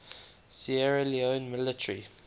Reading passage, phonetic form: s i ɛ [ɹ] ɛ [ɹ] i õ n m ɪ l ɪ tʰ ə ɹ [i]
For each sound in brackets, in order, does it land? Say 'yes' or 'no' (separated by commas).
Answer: yes, no, yes